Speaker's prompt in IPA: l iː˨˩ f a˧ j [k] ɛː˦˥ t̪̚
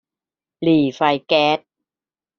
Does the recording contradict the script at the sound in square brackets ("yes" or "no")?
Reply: no